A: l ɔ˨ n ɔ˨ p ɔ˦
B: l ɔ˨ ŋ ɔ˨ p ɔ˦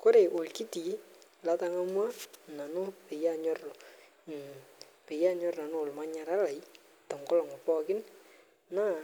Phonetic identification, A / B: B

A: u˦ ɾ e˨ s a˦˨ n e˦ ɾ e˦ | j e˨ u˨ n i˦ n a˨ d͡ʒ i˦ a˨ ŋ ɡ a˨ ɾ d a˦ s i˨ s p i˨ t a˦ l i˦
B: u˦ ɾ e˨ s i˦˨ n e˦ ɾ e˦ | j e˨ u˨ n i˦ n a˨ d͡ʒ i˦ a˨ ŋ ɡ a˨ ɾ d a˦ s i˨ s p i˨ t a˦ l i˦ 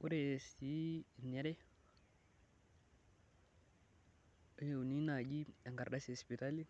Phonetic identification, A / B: B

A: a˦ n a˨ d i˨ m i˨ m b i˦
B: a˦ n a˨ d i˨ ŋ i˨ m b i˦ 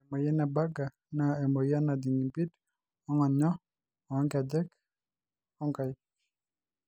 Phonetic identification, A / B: B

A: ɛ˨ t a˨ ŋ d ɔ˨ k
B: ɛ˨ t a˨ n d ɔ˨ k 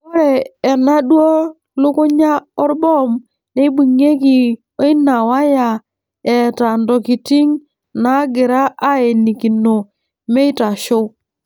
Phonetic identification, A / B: B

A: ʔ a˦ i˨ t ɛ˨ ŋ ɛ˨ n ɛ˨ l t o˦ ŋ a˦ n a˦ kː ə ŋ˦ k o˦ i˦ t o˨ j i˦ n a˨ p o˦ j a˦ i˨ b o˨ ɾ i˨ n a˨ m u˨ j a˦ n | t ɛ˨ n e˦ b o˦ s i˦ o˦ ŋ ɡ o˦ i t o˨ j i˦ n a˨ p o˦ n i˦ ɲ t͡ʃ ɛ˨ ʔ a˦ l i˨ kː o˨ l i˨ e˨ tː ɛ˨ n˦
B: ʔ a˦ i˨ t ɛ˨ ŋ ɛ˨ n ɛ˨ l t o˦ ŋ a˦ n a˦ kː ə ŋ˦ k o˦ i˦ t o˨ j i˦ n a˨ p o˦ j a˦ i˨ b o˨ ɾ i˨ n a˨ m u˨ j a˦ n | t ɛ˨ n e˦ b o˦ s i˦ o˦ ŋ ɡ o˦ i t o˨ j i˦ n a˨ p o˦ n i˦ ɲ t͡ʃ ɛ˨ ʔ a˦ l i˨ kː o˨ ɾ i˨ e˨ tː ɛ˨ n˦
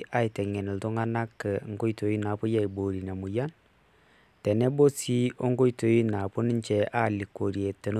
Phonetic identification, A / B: B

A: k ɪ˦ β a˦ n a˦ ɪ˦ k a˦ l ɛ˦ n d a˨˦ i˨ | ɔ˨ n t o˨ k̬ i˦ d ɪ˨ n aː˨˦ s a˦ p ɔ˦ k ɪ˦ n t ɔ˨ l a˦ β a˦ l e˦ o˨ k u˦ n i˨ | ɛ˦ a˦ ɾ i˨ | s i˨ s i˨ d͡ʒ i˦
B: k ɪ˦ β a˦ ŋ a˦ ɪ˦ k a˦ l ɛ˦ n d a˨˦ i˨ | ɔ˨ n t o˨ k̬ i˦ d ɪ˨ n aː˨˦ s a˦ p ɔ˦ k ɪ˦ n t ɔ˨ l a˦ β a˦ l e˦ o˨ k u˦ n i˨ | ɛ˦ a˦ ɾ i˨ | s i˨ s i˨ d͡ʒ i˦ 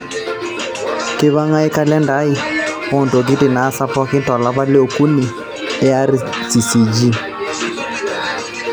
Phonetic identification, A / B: B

